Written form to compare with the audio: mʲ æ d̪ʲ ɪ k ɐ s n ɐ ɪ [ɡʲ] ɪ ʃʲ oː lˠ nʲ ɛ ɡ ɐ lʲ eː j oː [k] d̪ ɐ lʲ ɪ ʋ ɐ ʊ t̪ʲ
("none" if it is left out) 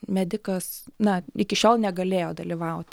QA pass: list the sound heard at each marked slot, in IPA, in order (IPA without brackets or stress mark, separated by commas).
kʲ, none